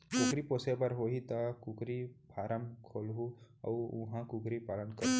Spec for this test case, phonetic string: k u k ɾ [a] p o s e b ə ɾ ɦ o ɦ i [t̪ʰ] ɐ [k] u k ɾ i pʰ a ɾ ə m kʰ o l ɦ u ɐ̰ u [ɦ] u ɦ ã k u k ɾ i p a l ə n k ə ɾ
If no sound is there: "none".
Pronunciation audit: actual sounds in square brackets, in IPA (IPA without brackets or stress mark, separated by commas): i, t̪, k, none